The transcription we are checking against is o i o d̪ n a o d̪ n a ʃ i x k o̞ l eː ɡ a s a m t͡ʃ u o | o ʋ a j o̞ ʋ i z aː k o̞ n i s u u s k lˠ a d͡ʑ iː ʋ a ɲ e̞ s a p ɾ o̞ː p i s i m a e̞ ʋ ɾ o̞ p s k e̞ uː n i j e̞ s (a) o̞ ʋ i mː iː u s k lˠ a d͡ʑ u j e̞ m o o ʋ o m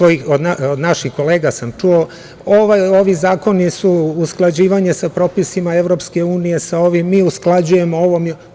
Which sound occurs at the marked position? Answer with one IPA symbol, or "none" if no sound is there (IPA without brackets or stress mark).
a